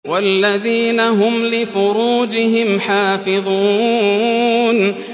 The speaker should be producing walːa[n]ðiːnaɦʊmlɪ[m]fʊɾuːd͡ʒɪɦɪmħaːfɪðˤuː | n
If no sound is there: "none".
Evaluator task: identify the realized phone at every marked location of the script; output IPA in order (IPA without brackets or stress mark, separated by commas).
none, none